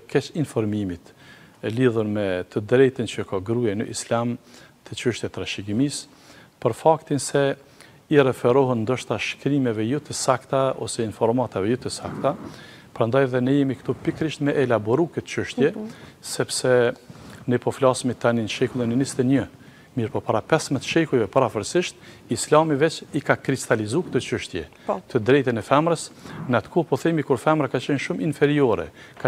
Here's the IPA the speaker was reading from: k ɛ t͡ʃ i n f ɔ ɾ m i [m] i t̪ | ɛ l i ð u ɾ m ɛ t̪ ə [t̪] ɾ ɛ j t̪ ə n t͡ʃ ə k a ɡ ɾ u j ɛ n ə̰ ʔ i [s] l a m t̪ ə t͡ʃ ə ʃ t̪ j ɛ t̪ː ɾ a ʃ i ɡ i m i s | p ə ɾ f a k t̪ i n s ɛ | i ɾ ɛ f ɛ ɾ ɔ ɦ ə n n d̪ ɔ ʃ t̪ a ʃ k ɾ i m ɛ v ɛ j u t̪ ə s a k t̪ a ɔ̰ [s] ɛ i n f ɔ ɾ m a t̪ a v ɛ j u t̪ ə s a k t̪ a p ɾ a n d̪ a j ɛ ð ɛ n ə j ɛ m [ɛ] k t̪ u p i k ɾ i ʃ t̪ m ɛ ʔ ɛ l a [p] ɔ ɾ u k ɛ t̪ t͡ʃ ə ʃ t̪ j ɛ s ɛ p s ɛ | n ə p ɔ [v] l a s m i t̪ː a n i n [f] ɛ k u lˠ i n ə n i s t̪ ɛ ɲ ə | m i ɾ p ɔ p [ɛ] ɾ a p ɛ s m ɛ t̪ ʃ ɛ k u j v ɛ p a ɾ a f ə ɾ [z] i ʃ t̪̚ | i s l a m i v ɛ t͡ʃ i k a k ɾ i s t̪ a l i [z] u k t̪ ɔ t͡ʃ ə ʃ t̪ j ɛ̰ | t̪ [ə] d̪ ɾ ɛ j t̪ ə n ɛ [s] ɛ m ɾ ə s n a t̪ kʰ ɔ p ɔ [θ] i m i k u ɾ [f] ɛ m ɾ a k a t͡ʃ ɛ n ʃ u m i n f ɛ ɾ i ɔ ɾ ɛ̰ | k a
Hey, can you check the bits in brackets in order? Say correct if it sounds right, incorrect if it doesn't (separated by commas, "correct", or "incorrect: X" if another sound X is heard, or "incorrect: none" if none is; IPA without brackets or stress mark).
correct, incorrect: d̪, correct, correct, incorrect: i, incorrect: b, incorrect: f, incorrect: ʃ, incorrect: a, incorrect: s, correct, correct, incorrect: f, correct, correct